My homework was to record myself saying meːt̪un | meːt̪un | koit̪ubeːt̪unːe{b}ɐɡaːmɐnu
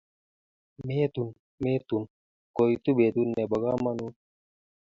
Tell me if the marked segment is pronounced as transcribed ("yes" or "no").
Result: yes